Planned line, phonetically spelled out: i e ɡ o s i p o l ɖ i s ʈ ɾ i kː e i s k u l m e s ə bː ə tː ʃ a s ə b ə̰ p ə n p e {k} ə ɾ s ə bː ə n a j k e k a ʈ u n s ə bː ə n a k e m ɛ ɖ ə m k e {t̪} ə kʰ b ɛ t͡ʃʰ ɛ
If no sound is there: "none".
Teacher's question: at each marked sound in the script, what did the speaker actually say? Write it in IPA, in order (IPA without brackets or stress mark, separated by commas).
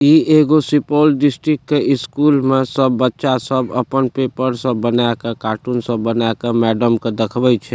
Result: p, d̪